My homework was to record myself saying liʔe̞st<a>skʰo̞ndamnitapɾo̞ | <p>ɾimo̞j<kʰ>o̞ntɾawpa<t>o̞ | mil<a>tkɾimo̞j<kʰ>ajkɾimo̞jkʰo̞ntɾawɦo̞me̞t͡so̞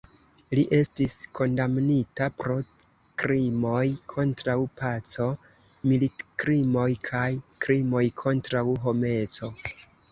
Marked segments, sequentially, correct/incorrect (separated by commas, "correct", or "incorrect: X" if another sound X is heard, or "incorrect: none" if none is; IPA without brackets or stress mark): incorrect: i, incorrect: k, correct, incorrect: t͡s, incorrect: i, correct